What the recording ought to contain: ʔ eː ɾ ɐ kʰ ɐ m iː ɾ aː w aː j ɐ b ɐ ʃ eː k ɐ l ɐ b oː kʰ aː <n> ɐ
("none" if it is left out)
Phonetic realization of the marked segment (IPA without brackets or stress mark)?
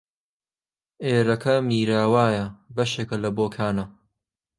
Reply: n